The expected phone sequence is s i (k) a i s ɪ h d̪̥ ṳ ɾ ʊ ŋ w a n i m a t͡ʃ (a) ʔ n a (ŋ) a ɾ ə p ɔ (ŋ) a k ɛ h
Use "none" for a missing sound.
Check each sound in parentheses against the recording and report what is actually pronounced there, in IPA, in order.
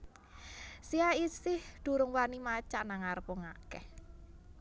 none, a, ŋ, ŋ

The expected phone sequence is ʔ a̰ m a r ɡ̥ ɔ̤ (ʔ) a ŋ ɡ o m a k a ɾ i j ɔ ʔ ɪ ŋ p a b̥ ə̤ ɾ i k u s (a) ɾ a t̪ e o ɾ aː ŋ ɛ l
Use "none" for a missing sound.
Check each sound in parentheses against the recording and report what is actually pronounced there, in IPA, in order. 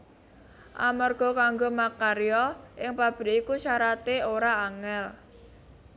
k, a

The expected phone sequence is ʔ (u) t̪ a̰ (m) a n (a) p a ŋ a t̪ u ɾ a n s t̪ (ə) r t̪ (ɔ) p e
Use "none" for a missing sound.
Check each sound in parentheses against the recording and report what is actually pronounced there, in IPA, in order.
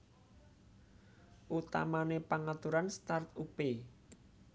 u, m, e, a, u

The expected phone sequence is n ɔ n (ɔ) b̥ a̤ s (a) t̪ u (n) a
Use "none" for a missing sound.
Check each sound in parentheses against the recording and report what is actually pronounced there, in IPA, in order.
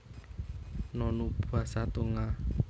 u, a, ŋ

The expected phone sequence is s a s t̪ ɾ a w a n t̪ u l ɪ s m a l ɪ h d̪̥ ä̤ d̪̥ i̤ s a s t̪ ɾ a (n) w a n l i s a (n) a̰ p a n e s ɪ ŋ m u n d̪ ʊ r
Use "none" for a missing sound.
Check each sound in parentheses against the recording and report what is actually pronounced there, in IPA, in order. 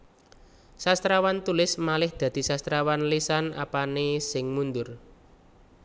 none, n

